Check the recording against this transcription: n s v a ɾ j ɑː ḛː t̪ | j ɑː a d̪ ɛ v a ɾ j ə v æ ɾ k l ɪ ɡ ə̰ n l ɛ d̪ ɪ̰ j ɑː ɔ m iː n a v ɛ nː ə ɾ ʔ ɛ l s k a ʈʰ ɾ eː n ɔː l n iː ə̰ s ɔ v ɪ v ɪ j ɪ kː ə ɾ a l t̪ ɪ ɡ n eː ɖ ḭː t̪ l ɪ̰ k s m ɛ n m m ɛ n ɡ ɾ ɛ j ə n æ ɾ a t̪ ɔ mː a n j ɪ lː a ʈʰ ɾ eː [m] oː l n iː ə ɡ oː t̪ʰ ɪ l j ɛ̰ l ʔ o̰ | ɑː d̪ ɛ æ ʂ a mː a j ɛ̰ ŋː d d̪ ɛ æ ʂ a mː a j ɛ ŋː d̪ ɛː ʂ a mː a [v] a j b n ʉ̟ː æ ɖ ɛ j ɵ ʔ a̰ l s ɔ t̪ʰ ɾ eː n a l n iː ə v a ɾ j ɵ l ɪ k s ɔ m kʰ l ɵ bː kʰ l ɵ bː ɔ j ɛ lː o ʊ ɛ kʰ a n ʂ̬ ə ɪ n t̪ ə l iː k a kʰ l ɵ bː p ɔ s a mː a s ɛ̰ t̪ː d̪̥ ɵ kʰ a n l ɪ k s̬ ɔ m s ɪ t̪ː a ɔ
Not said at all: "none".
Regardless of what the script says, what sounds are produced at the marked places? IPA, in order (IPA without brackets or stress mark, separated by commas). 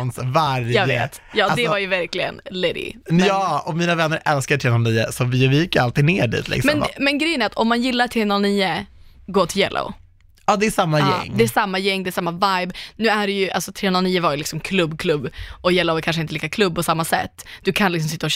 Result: n, v